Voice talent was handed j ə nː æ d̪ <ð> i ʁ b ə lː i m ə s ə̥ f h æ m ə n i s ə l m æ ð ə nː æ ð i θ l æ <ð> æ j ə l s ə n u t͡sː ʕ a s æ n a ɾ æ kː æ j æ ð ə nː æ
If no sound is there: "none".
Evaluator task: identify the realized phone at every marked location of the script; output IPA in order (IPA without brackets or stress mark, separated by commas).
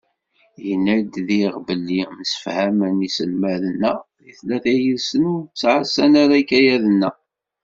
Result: ð, θ